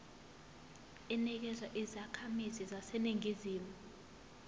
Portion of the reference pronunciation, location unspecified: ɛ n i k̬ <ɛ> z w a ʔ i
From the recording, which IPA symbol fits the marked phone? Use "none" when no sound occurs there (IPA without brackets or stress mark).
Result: ɛ